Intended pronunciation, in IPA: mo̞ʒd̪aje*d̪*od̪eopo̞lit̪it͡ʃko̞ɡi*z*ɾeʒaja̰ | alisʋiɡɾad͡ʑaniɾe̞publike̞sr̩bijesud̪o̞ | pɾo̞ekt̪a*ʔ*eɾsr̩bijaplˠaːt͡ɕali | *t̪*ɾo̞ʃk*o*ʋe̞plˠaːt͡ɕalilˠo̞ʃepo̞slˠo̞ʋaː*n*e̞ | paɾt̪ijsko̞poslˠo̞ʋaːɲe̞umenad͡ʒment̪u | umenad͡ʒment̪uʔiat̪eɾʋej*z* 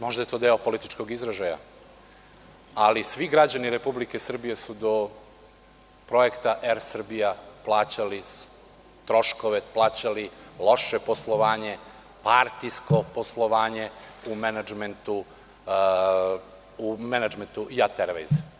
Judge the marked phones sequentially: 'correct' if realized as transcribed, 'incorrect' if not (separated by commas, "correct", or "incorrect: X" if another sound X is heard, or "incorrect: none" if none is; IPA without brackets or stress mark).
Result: incorrect: t̪, correct, correct, correct, correct, incorrect: ɲ, correct